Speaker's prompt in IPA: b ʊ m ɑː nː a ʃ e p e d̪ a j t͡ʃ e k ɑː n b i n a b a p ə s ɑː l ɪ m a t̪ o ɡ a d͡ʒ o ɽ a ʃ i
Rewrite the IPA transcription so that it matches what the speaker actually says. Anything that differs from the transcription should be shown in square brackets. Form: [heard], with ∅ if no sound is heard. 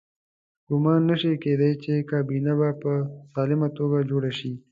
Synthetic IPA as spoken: [ɡ] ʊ m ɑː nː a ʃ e [k] e d̪ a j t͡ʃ e k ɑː [∅] b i n a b a p ə s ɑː l ɪ m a t̪ o ɡ a d͡ʒ o ɽ a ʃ i